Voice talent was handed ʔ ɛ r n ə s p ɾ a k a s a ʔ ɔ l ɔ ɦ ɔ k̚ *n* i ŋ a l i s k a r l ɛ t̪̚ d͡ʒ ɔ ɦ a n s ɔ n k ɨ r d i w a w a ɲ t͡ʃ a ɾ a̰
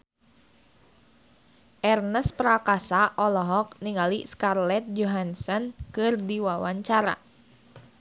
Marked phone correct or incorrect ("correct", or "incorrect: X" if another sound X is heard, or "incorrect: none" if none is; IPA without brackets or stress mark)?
correct